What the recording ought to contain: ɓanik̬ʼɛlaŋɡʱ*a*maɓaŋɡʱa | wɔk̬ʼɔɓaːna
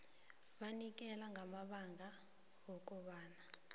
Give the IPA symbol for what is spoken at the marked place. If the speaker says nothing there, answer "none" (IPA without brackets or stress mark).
a